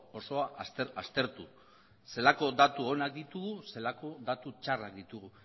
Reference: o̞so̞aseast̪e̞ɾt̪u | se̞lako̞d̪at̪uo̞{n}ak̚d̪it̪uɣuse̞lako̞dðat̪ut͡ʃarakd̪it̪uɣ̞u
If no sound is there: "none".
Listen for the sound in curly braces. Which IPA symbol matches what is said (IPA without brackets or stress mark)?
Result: n